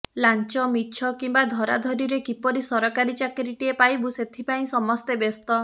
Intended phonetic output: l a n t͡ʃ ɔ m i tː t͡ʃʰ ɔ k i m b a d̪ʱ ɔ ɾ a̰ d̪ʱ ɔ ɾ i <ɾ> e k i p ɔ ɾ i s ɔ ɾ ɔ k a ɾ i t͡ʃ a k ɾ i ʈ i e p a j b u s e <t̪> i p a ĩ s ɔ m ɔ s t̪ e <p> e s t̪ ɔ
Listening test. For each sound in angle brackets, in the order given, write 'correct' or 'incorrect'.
correct, incorrect: t̪ʰ, incorrect: b

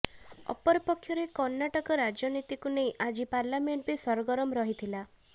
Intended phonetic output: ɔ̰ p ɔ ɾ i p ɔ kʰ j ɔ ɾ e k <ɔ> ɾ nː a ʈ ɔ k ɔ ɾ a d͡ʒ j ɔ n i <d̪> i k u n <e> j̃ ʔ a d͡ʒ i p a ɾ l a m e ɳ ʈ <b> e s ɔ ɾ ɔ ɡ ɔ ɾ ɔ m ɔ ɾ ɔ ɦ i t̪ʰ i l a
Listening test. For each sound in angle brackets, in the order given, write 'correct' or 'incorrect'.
correct, incorrect: t̪, correct, correct

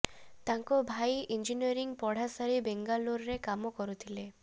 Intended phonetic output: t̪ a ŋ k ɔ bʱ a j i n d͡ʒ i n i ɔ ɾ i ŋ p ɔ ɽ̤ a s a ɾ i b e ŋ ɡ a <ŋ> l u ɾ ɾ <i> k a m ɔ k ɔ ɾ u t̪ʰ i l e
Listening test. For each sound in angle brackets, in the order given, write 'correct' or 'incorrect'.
incorrect: none, incorrect: e

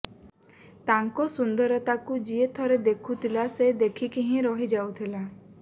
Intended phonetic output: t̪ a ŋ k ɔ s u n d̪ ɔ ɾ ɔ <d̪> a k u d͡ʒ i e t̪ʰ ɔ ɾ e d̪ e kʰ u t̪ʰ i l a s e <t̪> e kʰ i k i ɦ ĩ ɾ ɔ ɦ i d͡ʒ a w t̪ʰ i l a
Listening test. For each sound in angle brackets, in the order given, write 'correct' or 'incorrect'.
incorrect: t̪, incorrect: d̪

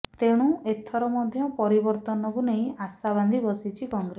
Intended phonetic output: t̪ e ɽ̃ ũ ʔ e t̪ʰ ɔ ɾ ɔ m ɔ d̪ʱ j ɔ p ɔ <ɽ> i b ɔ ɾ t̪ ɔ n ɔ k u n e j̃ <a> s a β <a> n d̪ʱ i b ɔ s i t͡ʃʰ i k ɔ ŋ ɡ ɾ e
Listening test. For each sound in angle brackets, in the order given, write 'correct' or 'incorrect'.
incorrect: ɾ, correct, correct

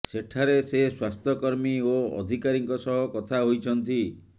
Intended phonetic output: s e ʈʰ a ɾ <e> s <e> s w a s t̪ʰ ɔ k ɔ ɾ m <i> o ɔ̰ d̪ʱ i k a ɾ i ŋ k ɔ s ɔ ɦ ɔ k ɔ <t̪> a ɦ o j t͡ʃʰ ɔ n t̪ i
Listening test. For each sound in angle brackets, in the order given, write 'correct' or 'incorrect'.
correct, correct, correct, incorrect: t̪ʰ

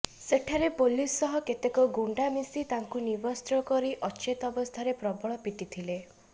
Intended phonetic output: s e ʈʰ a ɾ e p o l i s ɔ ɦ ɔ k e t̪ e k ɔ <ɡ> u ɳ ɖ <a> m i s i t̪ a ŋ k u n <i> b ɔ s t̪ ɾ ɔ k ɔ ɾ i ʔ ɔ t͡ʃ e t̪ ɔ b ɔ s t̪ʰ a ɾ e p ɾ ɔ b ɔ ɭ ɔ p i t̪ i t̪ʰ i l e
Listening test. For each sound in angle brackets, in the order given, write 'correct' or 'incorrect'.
correct, correct, correct

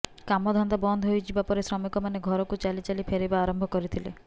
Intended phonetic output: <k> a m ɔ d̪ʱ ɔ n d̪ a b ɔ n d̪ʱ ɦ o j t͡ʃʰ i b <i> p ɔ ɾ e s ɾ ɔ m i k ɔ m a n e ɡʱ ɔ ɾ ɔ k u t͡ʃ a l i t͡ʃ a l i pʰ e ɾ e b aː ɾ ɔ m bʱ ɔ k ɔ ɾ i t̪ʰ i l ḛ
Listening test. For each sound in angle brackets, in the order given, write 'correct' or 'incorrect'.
correct, incorrect: a

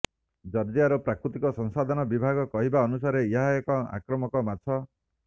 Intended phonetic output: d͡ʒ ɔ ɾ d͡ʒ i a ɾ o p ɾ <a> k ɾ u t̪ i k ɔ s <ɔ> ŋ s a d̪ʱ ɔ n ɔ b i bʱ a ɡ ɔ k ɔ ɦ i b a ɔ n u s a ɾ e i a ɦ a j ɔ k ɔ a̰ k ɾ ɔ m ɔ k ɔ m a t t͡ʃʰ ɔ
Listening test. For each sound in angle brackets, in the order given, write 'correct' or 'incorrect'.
correct, correct

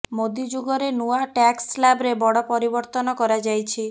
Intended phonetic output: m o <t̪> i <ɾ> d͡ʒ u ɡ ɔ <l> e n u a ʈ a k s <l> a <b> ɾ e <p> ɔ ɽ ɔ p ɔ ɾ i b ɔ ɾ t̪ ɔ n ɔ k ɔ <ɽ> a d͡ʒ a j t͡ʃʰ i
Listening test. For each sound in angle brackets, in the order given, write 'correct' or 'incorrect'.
incorrect: d̪, incorrect: none, incorrect: ɾ, correct, correct, incorrect: b, incorrect: ɾ

